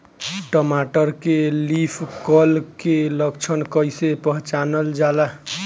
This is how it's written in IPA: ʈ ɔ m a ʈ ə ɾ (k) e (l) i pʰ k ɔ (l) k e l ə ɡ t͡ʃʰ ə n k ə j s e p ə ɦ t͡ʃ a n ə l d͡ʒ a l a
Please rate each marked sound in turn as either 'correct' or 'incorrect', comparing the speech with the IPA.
correct, correct, correct

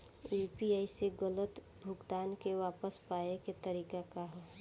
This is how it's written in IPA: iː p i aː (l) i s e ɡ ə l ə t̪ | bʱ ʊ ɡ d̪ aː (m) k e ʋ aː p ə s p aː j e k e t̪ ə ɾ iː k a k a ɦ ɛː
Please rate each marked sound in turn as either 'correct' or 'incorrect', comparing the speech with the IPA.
incorrect, incorrect

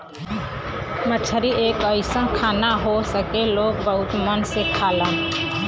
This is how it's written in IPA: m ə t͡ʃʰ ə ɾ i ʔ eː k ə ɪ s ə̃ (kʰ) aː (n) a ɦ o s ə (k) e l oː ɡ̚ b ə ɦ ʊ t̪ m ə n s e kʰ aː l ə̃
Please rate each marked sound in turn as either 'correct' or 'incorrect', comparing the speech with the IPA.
correct, correct, correct

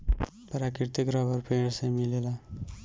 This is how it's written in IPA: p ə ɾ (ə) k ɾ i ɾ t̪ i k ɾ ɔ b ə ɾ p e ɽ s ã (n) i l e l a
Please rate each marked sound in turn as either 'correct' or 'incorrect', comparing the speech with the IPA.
incorrect, incorrect

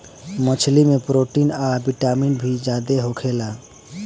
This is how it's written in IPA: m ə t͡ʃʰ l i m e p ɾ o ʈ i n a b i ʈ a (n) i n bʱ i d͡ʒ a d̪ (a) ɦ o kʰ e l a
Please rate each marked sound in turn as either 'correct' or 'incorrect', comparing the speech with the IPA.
incorrect, incorrect

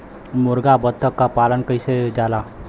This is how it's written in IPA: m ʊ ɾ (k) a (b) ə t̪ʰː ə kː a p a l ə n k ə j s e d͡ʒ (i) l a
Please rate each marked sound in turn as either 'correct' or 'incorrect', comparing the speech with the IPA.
incorrect, correct, incorrect

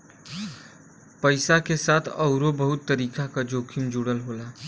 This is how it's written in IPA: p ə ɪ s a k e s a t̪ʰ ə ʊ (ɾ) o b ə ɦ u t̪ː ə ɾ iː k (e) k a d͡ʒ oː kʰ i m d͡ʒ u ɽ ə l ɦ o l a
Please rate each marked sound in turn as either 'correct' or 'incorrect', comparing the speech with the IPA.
correct, incorrect

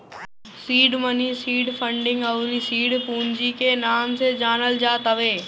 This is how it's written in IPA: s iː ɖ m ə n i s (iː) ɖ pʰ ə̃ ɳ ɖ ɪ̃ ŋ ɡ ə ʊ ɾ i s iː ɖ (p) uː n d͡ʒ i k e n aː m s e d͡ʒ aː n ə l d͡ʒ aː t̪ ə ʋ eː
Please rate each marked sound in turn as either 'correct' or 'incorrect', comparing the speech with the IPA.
correct, correct

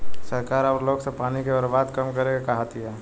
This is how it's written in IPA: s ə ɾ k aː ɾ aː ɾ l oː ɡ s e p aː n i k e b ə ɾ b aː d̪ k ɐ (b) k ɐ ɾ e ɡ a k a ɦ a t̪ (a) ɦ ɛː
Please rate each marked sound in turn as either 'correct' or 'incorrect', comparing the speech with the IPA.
incorrect, incorrect

